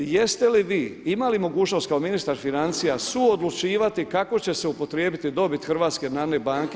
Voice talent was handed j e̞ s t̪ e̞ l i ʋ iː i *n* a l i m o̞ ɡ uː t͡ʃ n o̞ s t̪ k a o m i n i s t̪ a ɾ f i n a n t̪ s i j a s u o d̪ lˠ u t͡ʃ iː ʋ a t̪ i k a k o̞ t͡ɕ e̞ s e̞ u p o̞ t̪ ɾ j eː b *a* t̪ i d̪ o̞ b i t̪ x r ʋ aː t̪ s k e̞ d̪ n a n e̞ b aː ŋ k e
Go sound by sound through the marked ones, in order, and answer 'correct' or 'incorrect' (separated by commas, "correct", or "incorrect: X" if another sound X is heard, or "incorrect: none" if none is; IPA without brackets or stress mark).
incorrect: m, incorrect: i